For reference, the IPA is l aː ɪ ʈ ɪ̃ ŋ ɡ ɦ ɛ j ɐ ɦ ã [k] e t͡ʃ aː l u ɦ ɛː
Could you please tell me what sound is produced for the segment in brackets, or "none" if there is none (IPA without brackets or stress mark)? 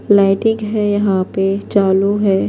p